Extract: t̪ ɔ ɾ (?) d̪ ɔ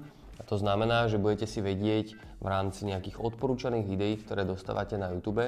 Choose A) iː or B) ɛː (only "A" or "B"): B